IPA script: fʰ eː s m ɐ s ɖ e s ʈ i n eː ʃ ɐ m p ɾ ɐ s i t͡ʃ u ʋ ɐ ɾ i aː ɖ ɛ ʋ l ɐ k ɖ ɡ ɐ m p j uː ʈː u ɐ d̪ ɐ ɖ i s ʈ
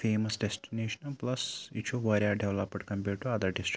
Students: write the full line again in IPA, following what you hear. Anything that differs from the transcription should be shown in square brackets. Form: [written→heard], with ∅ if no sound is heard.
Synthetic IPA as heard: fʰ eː [s→∅] m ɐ s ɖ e s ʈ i n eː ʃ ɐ [m→n] p [ɾ→l] ɐ s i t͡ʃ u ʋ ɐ ɾ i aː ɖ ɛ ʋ l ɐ [k→p] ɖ [ɡ→k] ɐ m p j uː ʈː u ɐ d̪ ɐ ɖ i s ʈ

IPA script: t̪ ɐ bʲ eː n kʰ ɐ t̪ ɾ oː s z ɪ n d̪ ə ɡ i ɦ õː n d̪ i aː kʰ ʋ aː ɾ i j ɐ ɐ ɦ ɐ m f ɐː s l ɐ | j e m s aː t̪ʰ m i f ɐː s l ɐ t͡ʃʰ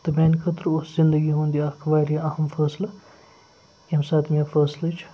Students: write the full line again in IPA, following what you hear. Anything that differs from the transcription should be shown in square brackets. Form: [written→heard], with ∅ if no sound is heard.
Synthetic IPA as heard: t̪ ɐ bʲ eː n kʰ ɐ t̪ ɾ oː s z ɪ n d̪ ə ɡ i ɦ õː n d̪ i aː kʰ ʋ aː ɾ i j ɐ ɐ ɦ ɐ m f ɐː s l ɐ | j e m s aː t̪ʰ m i f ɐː s l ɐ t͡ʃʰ

